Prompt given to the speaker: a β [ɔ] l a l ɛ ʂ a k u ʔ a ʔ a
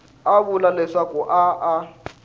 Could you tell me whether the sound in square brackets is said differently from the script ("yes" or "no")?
yes